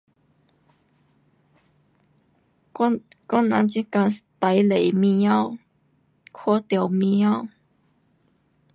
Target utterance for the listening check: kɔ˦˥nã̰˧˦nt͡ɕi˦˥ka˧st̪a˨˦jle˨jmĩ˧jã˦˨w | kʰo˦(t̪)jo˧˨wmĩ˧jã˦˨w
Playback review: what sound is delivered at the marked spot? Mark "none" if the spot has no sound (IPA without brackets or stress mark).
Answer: t̪